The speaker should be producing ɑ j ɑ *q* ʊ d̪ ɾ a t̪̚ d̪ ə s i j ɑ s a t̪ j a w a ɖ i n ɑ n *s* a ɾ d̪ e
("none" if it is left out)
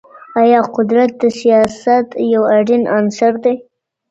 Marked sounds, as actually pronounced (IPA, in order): q, s

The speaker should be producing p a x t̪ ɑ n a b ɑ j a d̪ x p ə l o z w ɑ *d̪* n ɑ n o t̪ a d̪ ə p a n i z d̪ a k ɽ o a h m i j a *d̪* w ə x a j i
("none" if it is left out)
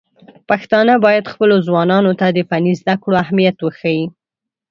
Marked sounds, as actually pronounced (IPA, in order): none, t̪

